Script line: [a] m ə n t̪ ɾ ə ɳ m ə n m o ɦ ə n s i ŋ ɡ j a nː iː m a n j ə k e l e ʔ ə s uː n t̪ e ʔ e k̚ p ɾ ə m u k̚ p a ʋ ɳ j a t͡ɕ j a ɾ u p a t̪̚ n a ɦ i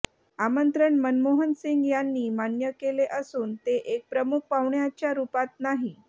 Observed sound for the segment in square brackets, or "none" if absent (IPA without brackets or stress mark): a